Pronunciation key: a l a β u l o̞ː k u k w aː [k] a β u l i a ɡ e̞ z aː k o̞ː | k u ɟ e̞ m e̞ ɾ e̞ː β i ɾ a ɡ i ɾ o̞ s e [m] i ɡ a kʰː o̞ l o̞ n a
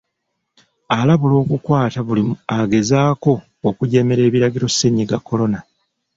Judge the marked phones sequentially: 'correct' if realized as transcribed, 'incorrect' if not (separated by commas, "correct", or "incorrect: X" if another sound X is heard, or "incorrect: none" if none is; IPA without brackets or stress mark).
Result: incorrect: t, incorrect: ɲ